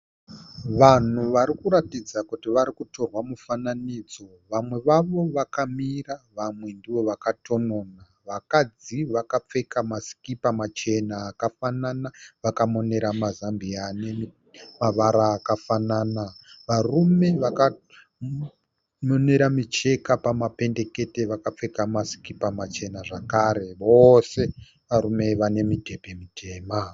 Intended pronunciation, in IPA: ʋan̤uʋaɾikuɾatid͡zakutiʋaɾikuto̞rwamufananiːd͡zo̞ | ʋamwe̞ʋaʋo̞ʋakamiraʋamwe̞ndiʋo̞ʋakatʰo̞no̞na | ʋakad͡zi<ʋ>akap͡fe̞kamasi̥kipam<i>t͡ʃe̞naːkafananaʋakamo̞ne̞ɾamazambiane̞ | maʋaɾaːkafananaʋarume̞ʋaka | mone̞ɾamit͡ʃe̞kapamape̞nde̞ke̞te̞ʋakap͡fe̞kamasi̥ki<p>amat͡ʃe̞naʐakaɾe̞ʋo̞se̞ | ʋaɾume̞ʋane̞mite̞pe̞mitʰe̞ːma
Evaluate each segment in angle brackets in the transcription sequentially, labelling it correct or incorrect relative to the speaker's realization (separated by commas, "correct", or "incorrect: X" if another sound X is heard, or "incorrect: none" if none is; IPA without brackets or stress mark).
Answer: correct, incorrect: a, correct